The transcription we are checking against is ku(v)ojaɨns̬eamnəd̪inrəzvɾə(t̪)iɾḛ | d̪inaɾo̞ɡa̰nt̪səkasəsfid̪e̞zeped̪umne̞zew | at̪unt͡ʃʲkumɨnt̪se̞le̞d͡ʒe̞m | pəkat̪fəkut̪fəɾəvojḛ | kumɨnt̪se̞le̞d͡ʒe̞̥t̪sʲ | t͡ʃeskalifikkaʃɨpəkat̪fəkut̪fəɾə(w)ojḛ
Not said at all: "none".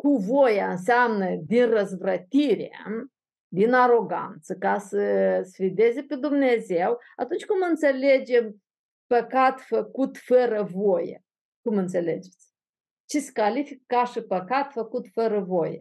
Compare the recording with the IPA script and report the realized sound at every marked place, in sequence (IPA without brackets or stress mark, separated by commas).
v, t̪, v